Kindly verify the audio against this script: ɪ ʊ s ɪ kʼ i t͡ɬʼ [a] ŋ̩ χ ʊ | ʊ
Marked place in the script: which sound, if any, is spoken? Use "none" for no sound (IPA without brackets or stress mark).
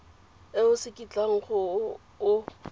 a